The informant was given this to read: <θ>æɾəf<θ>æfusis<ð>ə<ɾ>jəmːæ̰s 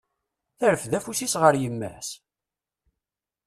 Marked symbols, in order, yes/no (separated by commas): yes, no, no, yes